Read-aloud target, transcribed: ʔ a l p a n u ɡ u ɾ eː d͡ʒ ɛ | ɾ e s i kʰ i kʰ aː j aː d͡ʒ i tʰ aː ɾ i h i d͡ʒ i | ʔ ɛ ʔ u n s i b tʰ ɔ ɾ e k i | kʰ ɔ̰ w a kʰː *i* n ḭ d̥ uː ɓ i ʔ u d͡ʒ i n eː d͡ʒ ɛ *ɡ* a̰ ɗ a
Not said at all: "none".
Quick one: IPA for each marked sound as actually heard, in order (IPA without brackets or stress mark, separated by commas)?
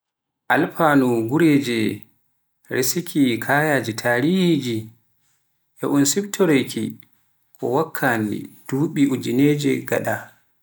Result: a, ɡ